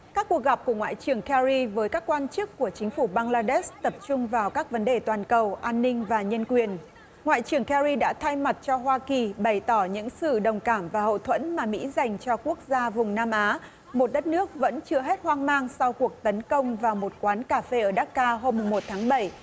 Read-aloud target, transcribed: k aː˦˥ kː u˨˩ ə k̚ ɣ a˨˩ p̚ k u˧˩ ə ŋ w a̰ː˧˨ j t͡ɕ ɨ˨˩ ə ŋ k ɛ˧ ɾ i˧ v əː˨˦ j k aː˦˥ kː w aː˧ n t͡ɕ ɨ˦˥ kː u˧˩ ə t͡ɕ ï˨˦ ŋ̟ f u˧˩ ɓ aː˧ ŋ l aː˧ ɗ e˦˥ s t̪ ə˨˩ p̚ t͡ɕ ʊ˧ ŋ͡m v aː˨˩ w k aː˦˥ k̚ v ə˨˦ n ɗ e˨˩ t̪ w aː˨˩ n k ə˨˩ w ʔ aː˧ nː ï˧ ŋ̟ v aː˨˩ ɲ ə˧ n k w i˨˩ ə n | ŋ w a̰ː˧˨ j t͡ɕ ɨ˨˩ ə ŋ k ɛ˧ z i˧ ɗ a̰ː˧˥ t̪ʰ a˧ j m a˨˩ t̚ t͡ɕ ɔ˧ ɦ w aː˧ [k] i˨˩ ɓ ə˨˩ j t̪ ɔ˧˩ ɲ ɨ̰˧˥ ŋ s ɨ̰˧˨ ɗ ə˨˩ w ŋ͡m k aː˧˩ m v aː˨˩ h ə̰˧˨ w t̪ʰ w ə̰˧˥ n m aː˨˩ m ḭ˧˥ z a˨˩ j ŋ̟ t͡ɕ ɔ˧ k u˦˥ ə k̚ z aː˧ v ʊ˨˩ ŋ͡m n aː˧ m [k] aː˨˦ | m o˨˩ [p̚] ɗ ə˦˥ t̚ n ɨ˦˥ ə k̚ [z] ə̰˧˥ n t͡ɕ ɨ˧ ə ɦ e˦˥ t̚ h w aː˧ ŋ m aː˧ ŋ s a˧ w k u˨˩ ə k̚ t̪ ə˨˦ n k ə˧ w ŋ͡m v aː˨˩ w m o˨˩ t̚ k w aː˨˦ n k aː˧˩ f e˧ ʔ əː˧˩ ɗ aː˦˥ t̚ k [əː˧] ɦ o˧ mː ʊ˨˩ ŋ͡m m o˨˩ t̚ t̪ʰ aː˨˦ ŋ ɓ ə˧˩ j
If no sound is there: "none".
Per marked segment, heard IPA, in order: k, ʔ, t̚, v, aː˧

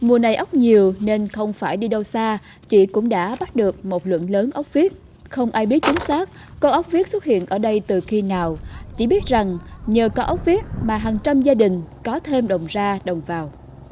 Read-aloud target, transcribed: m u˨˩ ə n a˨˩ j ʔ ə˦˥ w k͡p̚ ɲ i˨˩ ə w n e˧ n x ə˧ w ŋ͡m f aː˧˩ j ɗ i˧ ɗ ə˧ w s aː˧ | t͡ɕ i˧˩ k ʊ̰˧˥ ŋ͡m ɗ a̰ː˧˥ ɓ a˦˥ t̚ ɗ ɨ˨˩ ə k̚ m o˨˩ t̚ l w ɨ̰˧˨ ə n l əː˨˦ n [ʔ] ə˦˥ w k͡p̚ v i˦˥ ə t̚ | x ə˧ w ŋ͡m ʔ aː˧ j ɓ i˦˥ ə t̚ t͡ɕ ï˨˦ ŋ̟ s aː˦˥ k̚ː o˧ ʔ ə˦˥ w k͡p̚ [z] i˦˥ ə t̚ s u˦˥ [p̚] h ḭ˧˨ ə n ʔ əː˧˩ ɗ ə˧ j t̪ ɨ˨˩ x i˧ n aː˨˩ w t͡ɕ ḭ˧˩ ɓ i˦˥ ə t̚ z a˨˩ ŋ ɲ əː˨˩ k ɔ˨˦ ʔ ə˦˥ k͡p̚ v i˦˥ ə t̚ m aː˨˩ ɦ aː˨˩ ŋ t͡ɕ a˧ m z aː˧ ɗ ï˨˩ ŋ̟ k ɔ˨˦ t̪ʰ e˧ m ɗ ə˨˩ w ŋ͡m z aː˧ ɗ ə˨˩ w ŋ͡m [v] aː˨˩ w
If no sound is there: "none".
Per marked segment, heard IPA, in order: ʔ, v, t̚, v

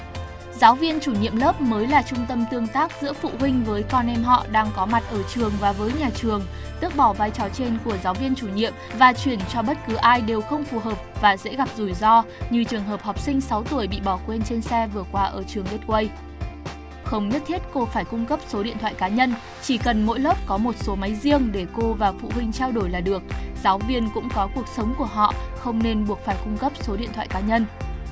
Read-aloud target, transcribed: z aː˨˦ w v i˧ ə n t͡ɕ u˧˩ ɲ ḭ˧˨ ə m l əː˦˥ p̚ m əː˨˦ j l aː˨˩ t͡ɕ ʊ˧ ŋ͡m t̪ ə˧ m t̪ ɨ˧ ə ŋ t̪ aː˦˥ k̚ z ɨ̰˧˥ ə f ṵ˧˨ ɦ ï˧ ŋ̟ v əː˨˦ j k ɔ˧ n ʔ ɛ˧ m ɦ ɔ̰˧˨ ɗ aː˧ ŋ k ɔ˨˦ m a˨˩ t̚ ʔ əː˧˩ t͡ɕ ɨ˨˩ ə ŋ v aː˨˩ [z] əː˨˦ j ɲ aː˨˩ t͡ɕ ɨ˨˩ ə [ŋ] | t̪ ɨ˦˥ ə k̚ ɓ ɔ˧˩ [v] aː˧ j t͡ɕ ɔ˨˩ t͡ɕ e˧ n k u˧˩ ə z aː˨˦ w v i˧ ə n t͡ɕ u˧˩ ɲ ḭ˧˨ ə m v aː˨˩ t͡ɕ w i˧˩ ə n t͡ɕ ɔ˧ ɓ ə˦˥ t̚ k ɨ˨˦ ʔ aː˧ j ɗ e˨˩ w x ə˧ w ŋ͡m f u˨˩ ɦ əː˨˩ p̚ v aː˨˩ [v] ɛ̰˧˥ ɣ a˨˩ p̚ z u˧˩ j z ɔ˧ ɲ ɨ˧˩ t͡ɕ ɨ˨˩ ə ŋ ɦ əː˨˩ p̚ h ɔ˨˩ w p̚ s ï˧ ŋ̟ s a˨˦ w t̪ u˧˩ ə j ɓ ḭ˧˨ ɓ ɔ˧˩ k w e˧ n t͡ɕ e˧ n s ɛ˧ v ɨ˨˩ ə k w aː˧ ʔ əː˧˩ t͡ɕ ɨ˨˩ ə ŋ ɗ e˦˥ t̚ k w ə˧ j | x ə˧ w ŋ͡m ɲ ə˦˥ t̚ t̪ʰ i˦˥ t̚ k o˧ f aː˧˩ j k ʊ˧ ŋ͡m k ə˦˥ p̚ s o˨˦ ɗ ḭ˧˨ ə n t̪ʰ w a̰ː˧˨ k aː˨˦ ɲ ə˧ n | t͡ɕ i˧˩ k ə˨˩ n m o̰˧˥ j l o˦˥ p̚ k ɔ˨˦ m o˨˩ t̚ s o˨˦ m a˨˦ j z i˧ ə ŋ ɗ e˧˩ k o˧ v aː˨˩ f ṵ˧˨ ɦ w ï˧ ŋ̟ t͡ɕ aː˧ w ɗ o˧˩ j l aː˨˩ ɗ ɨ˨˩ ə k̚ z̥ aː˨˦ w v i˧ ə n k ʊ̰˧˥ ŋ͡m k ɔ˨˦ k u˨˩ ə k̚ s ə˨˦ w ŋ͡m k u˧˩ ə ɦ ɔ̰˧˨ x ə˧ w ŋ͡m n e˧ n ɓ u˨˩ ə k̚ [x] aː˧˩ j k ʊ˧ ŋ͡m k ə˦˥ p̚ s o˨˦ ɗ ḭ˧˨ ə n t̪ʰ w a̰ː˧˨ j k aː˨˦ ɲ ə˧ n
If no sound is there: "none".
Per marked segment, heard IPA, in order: v, ŋ, v, z, f

